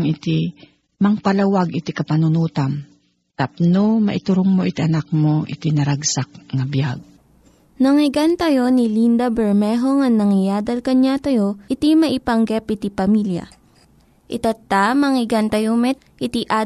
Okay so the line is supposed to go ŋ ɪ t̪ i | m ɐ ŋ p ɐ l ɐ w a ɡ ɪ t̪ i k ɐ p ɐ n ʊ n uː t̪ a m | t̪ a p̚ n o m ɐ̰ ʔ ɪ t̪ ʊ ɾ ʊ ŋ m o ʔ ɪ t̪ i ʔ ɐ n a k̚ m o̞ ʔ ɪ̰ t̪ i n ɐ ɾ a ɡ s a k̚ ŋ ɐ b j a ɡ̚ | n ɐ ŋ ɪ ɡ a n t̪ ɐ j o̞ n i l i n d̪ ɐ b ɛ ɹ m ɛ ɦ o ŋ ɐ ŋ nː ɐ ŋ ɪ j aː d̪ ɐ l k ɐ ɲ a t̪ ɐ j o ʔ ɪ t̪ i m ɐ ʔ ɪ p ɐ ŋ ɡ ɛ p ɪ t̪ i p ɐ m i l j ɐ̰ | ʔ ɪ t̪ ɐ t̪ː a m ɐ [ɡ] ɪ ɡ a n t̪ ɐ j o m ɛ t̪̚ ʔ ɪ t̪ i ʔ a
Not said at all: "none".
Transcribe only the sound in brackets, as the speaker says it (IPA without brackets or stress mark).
ŋ